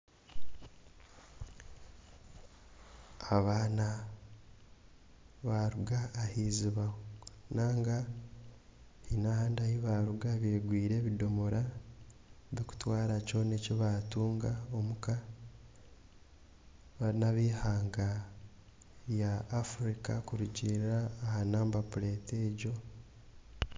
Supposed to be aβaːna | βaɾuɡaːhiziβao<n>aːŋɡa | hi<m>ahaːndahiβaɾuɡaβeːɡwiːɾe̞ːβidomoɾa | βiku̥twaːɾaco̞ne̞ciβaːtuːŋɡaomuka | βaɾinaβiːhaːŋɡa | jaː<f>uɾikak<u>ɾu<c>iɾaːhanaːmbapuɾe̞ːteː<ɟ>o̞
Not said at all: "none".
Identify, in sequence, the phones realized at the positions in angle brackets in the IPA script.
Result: n, n, f, u, ɟ, ɟ

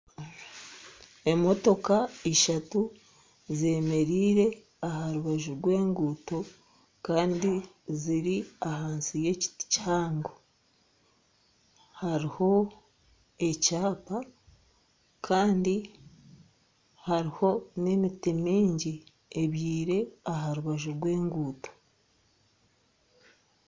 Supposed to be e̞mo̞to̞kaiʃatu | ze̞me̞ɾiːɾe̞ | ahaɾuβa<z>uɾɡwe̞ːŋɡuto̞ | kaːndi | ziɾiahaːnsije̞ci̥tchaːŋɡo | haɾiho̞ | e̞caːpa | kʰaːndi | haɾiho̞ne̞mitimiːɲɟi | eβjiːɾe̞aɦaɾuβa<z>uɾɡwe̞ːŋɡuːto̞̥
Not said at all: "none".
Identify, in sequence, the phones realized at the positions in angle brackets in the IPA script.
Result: ʒ, ʒ

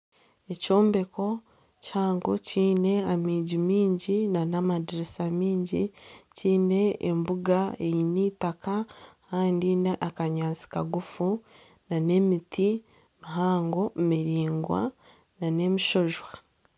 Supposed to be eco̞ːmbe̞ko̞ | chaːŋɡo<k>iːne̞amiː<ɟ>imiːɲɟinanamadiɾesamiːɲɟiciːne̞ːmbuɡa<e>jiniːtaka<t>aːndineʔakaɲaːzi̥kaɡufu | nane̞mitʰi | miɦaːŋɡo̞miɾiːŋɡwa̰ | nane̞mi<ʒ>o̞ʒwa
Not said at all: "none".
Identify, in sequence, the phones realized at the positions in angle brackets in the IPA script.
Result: c, ɟ, e, k, ʃ

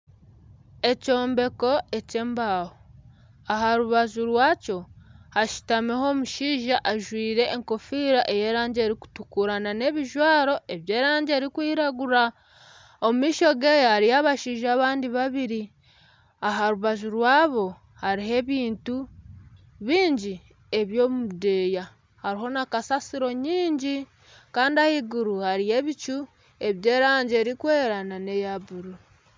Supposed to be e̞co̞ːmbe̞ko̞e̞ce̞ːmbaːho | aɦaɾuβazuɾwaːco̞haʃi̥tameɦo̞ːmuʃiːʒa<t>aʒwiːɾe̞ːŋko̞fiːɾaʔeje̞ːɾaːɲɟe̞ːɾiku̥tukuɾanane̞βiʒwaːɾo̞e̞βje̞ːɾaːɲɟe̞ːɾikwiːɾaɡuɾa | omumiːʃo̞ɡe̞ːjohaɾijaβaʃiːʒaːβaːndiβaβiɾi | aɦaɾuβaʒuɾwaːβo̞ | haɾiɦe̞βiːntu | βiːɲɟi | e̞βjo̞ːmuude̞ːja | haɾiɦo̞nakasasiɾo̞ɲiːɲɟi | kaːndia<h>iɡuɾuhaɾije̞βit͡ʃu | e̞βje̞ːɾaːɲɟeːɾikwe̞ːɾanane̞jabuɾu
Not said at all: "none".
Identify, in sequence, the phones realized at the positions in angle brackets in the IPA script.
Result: ʔ, h

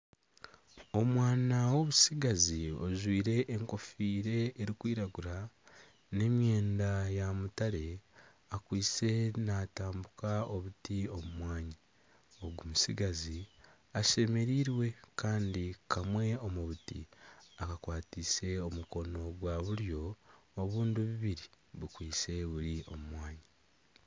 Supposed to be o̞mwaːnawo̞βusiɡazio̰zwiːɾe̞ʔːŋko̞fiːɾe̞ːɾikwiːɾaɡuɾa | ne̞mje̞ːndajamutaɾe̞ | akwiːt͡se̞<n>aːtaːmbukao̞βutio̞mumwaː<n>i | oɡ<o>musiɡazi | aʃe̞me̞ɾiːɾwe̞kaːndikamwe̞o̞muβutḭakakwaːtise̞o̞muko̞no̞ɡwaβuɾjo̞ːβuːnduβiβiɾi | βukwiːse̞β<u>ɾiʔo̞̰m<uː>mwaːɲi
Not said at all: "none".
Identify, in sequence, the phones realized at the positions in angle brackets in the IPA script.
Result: n, ɲ, u, u, u

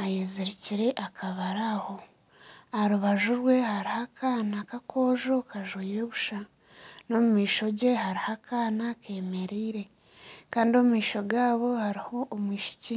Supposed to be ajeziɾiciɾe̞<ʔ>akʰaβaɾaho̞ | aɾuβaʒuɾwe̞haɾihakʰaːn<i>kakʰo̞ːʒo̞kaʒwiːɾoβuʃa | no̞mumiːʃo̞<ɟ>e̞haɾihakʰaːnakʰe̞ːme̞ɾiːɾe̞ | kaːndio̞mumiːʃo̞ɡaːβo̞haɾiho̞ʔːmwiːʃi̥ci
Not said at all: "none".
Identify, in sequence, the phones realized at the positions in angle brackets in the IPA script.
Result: ʔ, a, ɟ

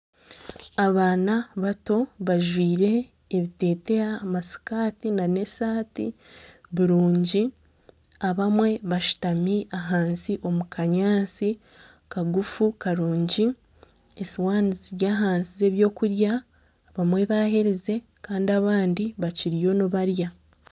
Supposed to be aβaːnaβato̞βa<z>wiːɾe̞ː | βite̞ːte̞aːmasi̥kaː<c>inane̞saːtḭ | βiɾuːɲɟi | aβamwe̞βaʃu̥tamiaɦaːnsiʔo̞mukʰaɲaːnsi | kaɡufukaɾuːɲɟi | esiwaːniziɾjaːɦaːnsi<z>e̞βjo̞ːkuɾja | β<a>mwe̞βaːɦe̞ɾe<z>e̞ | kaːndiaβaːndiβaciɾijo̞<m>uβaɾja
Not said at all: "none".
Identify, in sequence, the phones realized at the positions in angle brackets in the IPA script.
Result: ʒ, t, z, a, z, n

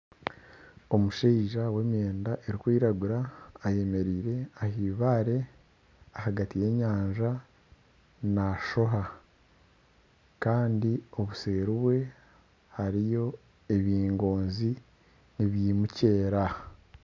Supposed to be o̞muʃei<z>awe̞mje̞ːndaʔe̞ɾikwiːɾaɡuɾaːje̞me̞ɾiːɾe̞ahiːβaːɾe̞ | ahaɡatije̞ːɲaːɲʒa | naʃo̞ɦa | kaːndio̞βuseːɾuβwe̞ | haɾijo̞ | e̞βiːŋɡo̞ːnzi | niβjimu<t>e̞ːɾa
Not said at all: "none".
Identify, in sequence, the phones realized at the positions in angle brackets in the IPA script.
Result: ʒ, c

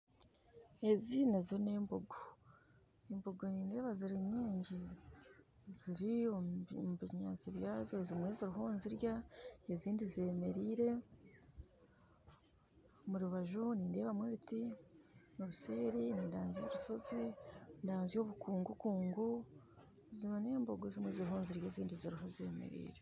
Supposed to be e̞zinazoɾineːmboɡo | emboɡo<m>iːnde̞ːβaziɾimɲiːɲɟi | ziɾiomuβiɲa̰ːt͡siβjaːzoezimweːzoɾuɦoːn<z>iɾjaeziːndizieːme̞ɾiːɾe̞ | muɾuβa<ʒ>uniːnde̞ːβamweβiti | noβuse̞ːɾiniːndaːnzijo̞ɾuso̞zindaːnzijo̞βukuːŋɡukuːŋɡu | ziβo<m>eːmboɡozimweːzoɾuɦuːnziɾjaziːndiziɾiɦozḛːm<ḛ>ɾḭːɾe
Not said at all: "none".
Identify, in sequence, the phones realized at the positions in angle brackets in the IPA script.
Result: n, z, ʒ, n, ḛ

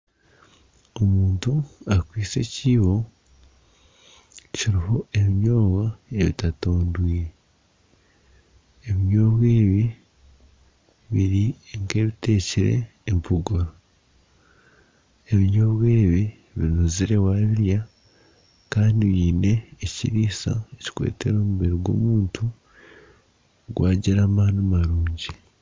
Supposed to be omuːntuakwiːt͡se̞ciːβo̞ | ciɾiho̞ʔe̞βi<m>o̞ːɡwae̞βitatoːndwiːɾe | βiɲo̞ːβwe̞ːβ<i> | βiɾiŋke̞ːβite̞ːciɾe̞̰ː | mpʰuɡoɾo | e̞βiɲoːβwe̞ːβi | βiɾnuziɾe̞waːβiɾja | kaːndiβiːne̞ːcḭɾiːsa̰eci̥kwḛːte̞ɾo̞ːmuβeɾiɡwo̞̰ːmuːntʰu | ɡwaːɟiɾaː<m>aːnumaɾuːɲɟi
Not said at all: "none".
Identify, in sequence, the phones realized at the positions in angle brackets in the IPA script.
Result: ɲ, i, m

